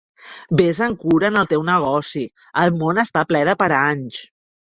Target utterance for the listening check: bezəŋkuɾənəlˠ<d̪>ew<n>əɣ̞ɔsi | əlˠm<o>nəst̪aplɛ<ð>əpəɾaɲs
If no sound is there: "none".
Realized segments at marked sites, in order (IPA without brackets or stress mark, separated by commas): t̪, n, o, ð